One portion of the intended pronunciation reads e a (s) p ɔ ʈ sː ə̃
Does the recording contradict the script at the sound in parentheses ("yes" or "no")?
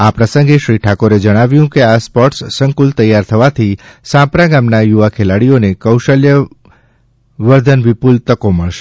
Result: no